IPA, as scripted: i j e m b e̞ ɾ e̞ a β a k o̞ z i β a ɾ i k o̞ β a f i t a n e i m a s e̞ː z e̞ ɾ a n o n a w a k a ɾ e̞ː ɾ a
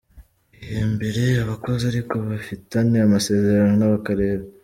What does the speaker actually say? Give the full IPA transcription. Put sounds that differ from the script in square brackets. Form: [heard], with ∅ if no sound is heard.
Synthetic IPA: i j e m b e̞ ɾ e̞ a β a k o̞ z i [∅] a ɾ i k o̞ β a f i t a n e [a] m a s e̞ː z e̞ ɾ a n o n a [β] a k a ɾ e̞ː ɾ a